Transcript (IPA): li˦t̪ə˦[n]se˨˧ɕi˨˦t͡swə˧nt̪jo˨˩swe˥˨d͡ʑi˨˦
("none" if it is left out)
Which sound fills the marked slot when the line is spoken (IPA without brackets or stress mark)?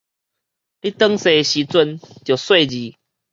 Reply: ŋ